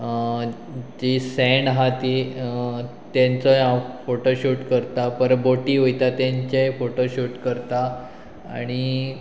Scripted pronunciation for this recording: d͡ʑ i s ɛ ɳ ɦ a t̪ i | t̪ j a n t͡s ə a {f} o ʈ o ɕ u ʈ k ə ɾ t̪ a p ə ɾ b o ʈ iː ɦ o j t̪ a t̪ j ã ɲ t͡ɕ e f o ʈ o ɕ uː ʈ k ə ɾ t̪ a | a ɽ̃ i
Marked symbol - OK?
yes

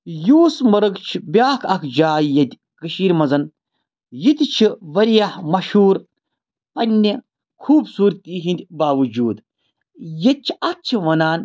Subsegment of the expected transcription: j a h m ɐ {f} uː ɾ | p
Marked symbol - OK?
no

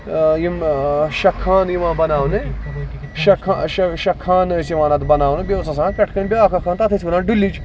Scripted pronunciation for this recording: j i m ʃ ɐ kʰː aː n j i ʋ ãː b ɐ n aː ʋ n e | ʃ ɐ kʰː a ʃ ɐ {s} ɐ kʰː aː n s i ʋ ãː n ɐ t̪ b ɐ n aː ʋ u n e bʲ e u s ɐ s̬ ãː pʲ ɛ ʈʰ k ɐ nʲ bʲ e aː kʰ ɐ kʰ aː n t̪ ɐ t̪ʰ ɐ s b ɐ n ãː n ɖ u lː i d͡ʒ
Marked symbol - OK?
no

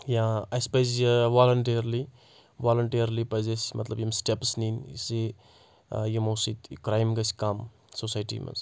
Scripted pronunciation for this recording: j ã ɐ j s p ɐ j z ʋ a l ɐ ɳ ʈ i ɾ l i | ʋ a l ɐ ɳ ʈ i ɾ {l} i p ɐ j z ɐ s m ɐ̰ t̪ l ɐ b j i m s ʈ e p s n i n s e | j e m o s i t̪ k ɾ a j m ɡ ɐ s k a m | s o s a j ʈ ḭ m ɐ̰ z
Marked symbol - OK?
yes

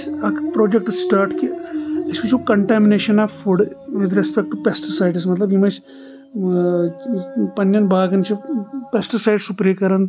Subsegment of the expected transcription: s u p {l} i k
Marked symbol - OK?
no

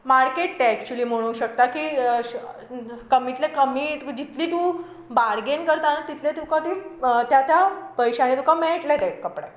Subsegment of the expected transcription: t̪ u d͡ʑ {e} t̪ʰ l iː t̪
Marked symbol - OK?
no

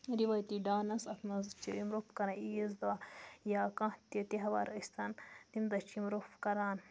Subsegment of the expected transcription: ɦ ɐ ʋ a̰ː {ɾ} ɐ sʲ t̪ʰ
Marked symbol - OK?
yes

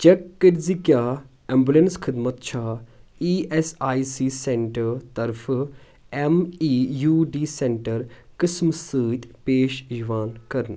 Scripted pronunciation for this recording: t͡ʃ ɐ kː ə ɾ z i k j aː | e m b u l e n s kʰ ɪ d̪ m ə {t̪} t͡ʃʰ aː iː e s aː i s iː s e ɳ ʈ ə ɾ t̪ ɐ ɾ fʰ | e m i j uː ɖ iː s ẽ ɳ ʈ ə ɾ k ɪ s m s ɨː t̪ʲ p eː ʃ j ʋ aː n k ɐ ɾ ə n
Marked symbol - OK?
yes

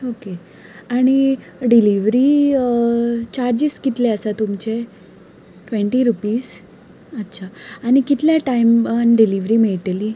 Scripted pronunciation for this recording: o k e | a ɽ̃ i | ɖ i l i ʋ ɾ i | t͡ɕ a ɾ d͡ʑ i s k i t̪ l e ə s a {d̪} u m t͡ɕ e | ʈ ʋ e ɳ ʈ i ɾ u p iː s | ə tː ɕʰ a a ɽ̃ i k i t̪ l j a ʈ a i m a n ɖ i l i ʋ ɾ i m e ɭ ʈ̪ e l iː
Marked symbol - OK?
no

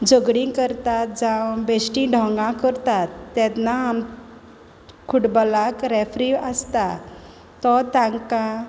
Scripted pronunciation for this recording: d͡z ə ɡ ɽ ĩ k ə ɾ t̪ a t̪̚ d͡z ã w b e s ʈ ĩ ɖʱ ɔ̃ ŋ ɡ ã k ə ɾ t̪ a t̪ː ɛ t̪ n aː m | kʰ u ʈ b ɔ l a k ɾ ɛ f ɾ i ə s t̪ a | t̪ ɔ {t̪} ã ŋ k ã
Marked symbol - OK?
yes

